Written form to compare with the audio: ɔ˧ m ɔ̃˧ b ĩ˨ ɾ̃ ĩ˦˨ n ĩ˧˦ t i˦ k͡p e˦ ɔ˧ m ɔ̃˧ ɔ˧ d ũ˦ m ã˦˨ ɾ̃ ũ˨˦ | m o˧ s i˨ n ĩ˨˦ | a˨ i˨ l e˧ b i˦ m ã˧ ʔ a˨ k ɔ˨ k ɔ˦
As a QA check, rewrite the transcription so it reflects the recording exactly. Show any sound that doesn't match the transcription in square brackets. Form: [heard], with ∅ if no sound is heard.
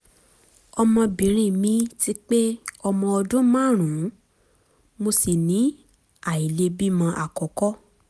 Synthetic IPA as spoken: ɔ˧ m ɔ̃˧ b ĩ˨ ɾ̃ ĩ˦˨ [m] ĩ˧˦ t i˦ k͡p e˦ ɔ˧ m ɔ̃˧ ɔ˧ d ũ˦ m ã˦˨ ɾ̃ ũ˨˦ | m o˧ s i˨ n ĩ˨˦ | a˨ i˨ l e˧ b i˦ m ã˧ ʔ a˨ k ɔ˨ k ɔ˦